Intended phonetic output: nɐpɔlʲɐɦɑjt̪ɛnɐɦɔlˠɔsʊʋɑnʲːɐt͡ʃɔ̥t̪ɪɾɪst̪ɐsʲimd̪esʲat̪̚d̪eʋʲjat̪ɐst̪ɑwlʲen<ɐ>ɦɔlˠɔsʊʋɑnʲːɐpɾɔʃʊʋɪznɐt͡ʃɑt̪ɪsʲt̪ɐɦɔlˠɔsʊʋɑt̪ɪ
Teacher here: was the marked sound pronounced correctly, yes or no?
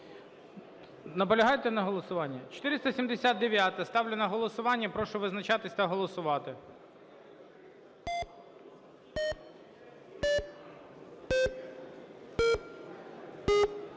yes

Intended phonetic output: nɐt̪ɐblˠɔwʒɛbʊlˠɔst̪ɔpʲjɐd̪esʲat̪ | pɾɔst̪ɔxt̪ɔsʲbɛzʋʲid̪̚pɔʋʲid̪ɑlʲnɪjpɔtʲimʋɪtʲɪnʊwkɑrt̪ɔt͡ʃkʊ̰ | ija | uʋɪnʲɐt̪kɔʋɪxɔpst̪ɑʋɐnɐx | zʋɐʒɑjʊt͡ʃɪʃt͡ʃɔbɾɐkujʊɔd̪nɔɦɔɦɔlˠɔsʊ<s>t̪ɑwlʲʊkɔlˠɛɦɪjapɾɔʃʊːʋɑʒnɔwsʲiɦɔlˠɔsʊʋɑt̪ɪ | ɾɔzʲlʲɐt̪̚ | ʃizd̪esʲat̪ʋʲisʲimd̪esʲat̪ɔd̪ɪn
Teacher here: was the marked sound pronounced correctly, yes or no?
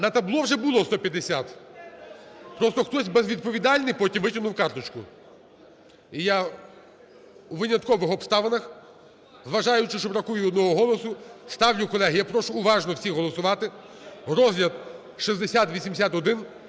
yes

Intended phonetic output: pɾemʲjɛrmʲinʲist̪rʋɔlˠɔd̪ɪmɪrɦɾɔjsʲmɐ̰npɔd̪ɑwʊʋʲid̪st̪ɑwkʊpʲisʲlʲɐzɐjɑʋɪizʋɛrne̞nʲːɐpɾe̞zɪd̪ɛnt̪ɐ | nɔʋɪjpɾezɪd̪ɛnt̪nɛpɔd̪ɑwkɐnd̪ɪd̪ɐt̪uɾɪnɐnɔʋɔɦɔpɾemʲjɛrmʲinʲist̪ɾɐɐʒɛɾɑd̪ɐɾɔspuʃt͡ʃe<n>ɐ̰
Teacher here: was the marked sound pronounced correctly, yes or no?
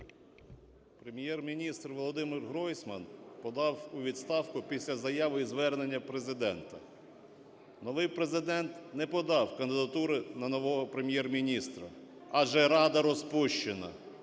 yes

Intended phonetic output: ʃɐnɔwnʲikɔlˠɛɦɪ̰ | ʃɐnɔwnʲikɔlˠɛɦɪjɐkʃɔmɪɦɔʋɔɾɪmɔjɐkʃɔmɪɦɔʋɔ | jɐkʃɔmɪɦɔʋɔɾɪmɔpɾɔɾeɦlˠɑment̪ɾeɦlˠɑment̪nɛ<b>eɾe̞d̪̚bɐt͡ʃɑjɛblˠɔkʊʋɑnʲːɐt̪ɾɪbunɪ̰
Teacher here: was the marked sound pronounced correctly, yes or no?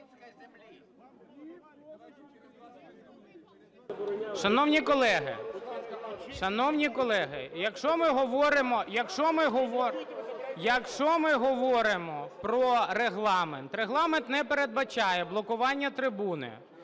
no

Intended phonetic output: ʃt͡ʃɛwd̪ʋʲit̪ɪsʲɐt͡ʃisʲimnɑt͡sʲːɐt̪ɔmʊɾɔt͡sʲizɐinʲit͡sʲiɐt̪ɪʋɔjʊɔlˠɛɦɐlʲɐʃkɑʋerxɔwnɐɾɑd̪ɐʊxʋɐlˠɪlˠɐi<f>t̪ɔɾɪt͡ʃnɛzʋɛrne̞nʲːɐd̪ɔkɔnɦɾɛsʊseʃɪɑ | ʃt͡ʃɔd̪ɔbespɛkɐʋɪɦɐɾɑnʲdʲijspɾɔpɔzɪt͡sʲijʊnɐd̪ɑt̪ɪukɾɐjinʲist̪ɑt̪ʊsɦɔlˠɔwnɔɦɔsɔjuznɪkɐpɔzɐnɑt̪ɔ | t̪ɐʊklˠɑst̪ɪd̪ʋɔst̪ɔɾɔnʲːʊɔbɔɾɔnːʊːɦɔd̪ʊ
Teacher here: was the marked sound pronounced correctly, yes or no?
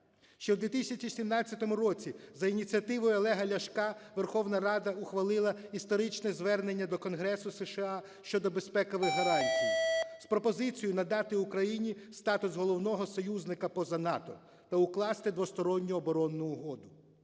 no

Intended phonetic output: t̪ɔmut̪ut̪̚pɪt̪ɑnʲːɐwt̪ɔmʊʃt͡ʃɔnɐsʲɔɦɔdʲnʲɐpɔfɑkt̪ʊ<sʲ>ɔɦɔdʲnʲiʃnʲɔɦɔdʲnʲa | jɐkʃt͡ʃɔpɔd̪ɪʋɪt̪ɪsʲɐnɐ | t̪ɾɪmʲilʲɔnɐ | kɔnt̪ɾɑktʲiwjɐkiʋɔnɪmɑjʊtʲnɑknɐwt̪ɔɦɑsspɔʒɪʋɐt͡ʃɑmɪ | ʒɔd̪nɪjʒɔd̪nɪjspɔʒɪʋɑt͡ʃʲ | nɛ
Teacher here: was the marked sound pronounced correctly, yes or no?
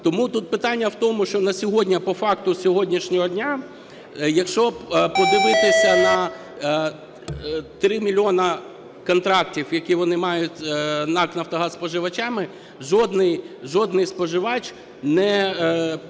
yes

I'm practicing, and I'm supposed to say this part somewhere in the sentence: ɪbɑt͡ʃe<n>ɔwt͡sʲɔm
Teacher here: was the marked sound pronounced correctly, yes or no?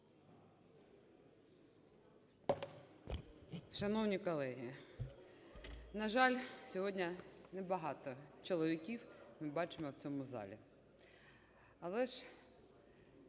no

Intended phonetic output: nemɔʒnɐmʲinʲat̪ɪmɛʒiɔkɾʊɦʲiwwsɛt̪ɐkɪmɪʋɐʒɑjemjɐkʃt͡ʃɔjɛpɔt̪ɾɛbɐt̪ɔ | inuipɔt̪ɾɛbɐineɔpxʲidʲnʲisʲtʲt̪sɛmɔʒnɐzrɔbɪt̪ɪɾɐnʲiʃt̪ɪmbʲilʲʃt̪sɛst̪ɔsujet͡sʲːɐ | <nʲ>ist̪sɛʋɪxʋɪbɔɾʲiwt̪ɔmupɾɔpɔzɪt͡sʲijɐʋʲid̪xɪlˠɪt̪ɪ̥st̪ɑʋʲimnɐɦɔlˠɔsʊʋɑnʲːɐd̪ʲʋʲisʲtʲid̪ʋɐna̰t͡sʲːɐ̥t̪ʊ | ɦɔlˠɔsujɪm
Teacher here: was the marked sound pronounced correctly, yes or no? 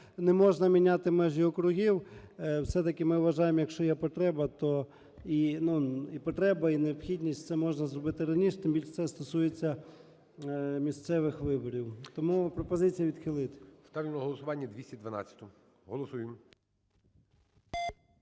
no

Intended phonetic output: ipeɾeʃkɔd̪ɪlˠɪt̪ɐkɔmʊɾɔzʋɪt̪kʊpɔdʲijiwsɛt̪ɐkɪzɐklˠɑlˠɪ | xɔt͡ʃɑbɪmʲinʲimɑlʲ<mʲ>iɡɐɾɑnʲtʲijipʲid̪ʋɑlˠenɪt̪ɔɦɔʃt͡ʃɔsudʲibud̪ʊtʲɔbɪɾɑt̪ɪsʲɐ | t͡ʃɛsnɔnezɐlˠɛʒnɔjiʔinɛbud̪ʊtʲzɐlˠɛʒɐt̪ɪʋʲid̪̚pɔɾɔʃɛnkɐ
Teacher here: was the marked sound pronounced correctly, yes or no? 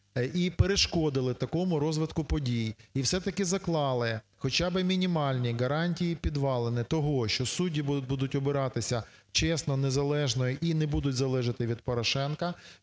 no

